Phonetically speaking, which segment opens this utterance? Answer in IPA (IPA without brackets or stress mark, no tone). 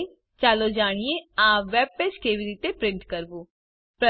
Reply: t͡ʃ